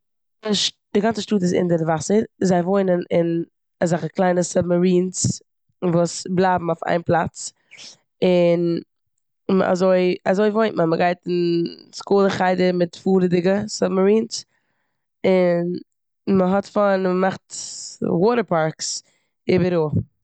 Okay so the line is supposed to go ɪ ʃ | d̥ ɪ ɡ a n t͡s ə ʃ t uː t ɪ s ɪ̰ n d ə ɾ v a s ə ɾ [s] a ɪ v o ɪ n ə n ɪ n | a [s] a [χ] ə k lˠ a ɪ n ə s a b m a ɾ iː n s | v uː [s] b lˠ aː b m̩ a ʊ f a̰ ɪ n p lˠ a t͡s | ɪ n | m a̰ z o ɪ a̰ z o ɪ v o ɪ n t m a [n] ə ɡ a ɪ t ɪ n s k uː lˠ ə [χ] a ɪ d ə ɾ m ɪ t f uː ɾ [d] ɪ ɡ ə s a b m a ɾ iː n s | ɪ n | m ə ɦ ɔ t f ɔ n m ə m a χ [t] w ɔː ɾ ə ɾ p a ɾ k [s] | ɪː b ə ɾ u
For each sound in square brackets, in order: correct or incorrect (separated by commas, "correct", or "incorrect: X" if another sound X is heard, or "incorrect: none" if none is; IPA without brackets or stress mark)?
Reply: incorrect: z, incorrect: z, correct, correct, incorrect: m, correct, correct, correct, correct